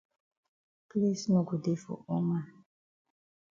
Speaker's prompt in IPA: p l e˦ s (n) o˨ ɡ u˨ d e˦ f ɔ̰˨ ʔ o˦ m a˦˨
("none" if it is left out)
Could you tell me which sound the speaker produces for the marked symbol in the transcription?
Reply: n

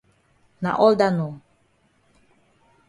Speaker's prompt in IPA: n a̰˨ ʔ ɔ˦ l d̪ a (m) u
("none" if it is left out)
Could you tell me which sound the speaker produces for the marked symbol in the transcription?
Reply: n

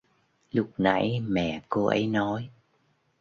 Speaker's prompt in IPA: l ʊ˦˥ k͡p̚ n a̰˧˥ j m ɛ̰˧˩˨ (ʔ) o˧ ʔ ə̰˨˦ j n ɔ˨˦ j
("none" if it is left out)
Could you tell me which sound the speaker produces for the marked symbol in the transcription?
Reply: k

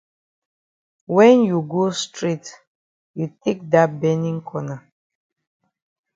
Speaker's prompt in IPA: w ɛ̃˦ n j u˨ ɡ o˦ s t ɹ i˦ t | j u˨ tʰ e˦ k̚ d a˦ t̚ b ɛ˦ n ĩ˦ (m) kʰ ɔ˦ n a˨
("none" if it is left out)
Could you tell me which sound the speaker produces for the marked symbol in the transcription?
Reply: ŋ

